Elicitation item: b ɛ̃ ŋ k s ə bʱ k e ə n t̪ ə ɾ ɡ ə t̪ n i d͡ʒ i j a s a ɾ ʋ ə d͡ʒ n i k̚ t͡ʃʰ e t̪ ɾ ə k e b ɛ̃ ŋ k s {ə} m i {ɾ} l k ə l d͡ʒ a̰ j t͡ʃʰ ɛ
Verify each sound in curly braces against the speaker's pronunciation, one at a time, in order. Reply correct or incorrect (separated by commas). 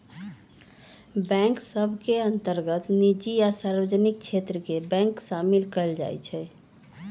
incorrect, incorrect